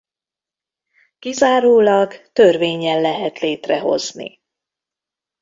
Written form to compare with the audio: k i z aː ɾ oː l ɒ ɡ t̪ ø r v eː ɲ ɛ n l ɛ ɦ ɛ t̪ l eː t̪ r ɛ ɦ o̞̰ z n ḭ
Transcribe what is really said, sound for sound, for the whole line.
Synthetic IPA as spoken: k i z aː ɾ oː l ɒ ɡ t̪ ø r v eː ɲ ɛ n l ɛ ɦ ɛ t̪ l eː t̪ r ɛ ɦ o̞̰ z n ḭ